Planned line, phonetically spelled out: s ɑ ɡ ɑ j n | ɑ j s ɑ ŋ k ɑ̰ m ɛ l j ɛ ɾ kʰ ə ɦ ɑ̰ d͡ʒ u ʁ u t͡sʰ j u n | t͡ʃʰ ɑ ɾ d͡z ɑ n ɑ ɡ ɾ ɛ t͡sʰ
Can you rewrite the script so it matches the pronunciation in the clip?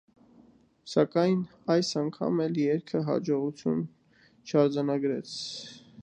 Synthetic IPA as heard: s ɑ k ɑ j n | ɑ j s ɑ ŋ kʰ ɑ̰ m ɛ l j ɛ ɾ kʰ ə ɦ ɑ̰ d͡ʒ ɔ ʁ u t͡sʰ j u n | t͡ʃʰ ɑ ɾ d͡z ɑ n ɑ ɡ ɾ ɛ t͡sʰ